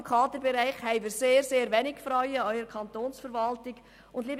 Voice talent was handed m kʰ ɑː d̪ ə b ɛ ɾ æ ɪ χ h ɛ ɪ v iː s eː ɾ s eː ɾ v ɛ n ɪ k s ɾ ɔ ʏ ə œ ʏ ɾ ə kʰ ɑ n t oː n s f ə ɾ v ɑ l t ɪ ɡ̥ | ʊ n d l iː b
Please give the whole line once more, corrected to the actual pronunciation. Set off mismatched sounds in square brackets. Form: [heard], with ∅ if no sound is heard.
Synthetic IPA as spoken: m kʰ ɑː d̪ ə b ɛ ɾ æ ɪ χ h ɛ ɪ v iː s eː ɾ s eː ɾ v ɛ n ɪ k [f] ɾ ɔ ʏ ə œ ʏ ɾ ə kʰ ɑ n t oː n s f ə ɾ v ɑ l t ɪ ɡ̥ | ʊ n d l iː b